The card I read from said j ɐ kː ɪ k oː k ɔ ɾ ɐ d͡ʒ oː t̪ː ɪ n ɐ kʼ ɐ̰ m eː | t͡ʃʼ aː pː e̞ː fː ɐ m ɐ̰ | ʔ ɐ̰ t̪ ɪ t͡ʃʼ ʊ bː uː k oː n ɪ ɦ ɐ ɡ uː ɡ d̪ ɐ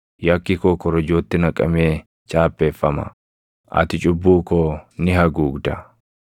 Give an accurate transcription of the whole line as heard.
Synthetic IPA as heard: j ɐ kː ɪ k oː k ɔ ɾ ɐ d͡ʒ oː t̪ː ɪ n ɐ kʼ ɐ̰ m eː | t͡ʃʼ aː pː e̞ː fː ɐ m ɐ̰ | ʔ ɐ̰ t̪ ɪ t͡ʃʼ ʊ bː uː k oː n ɪ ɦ ɐ ɡ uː ɡ d̪ ɐ